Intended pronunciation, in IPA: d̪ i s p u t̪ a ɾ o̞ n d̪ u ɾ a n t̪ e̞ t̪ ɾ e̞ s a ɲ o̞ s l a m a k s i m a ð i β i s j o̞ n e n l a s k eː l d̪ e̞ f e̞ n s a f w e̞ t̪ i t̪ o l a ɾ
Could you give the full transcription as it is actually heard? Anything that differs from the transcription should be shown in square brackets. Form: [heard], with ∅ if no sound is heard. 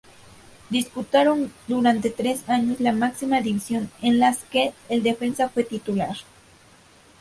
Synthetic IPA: d̪ i s p u t̪ a ɾ o̞ n d̪ u ɾ a n t̪ e̞ t̪ ɾ e̞ s a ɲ o̞ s l a m a k s i m a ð i β i s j o̞ n e n l a s k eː l d̪ e̞ f e̞ n s a f w e̞ t̪ i t̪ [u] l a ɾ